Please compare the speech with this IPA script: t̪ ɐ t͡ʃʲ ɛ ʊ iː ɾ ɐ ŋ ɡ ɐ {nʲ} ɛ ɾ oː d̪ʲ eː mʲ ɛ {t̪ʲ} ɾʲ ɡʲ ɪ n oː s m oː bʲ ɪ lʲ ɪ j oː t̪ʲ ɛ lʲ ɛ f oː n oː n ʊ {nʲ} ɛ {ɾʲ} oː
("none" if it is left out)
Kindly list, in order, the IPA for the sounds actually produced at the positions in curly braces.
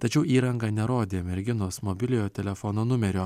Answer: nʲ, none, mʲ, ɾʲ

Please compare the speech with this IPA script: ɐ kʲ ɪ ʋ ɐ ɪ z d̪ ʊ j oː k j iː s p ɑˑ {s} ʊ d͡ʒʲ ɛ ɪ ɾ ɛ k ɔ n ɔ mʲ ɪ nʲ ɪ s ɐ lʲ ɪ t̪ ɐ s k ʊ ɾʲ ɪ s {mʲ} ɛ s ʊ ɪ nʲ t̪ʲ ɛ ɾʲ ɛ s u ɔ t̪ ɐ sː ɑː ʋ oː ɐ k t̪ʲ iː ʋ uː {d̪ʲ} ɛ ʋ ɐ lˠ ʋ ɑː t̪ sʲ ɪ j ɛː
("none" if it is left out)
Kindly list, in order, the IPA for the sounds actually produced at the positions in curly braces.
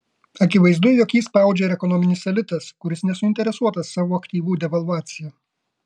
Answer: none, nʲ, d̪ʲ

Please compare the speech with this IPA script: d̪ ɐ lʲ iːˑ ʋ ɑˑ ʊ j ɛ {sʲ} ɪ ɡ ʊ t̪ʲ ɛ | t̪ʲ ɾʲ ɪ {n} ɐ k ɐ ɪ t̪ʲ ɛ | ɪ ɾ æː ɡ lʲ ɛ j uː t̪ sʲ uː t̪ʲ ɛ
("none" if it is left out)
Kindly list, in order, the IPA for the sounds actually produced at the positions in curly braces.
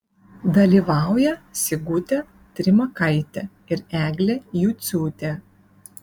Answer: sʲ, m

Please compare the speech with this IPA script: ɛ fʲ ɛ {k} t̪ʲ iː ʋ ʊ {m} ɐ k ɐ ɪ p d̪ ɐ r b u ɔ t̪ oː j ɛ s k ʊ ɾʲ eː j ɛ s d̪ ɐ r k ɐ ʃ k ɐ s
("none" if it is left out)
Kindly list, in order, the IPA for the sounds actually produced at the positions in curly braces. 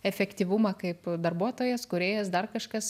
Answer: k, m

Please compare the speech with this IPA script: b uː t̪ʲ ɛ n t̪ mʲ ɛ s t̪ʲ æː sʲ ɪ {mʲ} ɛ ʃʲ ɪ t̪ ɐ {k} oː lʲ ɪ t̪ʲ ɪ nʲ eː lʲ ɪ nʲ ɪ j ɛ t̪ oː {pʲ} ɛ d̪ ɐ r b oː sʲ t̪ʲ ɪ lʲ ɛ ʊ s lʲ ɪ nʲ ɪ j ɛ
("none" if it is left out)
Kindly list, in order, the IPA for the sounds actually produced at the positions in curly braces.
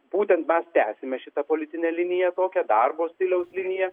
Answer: mʲ, p, kʲ

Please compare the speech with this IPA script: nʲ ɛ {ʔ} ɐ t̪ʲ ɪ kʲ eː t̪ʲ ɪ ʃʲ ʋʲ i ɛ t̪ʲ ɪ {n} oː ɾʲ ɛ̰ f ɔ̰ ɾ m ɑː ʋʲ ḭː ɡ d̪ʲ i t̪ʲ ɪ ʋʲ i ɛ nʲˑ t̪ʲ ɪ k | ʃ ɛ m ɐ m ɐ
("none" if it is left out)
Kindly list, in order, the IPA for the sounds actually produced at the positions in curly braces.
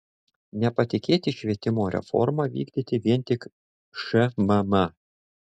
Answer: p, m

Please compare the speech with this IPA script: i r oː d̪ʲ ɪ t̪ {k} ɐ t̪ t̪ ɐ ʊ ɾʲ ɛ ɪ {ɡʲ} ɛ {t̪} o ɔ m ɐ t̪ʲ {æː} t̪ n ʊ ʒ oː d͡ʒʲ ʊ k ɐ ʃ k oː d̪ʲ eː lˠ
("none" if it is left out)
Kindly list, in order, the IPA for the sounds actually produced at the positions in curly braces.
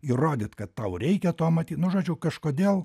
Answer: k, kʲ, t̪, iː

